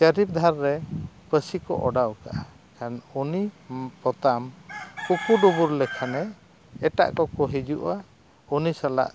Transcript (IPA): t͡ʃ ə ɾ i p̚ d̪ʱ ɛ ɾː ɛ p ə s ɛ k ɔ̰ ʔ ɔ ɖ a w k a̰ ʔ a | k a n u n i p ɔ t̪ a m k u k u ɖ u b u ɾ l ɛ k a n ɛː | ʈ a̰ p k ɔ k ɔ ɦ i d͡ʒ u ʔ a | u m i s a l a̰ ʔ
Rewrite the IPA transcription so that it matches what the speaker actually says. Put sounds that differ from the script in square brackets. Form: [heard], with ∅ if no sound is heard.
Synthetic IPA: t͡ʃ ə ɾ i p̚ d̪ʱ [a] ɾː ɛ p ə s [i] k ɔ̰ ʔ ɔ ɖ a w k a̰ ʔ a | k a n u n i p ɔ t̪ a m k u k u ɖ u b u ɾ l ɛ [kʰ] a n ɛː | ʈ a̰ [ʔ] k ɔ k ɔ ɦ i d͡ʒ u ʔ a | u [n] i s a l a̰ ʔ